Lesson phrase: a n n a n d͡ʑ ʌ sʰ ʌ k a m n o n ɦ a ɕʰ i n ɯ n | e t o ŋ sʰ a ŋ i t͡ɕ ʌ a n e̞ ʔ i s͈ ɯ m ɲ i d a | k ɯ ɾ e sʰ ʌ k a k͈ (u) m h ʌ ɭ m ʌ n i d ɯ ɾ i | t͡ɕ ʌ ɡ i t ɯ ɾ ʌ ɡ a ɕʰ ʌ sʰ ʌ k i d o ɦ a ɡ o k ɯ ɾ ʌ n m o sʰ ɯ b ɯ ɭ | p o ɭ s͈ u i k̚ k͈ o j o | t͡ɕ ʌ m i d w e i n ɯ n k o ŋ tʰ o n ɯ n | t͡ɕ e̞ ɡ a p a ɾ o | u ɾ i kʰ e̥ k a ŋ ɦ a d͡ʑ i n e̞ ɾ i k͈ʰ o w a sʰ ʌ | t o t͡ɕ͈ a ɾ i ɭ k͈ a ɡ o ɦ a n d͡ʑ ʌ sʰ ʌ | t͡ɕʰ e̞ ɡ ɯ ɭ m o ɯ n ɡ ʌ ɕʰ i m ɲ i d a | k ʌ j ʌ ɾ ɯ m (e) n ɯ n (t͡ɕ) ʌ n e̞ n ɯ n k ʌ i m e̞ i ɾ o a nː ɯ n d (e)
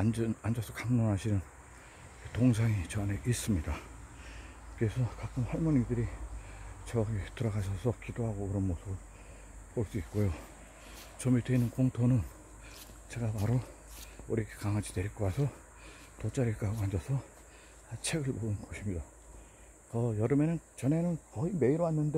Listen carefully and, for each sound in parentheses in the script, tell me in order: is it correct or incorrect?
incorrect: ɯ, correct, correct, correct

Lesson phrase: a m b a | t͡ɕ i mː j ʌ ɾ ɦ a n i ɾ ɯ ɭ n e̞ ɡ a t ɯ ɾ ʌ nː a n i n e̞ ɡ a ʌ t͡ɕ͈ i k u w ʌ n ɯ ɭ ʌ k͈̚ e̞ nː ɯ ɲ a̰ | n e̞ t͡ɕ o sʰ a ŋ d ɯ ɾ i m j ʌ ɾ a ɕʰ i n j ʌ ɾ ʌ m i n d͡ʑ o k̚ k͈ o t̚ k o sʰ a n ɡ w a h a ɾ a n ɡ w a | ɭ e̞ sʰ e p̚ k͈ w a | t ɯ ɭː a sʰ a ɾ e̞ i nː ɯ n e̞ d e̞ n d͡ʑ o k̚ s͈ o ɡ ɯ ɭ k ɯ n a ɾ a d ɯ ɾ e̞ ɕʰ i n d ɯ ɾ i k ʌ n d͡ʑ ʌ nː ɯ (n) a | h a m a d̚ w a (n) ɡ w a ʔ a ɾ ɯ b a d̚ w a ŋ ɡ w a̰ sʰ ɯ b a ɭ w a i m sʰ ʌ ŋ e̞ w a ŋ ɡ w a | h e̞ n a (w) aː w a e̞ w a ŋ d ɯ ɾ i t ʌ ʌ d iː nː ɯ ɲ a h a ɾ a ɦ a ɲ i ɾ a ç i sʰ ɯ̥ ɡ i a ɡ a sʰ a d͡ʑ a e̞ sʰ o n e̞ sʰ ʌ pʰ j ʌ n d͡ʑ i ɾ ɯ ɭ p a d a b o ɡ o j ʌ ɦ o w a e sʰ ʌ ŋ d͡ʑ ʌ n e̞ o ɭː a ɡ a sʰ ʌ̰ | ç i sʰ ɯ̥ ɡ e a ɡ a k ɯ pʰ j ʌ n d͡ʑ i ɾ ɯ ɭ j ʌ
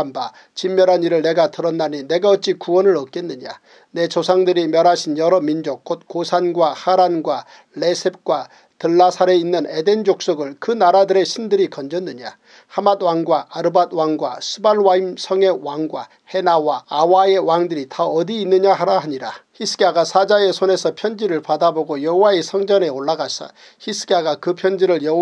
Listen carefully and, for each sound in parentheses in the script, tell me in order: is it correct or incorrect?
incorrect: ɲ, incorrect: ŋ, correct

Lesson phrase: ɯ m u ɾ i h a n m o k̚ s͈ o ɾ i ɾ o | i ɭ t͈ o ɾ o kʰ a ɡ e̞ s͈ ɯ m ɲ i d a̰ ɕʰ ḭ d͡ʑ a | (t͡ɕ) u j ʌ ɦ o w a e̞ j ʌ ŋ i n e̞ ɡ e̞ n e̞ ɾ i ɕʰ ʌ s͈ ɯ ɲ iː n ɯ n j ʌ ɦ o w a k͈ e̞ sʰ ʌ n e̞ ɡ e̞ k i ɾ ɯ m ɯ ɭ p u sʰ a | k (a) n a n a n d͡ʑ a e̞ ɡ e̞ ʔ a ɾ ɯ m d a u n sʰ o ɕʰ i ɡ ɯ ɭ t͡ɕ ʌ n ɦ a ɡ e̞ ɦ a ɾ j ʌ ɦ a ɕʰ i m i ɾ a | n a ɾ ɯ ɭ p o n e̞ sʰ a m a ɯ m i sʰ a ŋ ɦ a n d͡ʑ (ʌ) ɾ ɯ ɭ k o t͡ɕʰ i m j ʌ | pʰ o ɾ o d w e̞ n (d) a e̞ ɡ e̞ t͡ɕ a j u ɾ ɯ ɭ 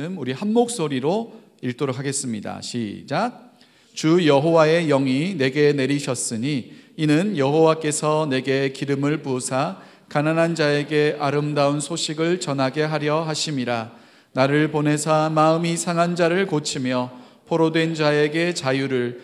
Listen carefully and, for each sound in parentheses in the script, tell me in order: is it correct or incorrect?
correct, correct, incorrect: a, incorrect: d͡ʑ

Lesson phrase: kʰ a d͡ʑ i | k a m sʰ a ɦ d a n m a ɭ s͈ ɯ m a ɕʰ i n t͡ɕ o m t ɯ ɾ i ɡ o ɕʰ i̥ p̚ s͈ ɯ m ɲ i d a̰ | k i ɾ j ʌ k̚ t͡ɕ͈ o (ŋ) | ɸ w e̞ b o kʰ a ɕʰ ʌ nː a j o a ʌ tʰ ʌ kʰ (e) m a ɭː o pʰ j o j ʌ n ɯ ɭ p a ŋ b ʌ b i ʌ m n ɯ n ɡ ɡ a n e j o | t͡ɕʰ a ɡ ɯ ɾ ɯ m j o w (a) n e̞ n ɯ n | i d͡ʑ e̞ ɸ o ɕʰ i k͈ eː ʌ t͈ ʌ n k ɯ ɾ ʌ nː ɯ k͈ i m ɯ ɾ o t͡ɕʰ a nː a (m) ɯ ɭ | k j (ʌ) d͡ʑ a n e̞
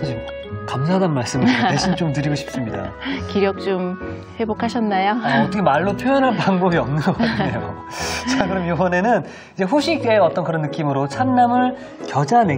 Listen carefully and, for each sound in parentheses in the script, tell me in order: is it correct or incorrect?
incorrect: m, correct, incorrect: ʌ, correct, correct

